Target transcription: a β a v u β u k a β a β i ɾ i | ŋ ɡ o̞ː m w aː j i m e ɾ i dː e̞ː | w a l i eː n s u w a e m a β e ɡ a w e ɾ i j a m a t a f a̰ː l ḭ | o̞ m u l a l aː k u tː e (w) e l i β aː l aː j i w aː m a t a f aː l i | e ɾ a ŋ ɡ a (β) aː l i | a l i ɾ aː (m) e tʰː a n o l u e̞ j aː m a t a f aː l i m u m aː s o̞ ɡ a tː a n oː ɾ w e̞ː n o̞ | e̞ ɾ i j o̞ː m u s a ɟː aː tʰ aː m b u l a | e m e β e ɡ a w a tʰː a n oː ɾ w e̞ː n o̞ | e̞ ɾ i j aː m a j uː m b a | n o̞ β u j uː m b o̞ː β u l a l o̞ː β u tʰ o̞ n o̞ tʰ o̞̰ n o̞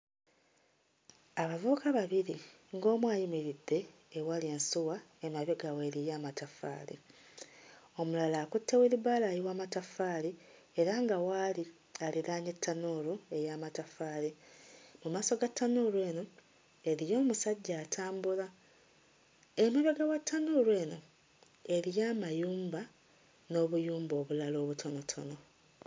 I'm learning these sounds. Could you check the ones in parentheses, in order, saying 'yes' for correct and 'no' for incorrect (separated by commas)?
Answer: yes, no, no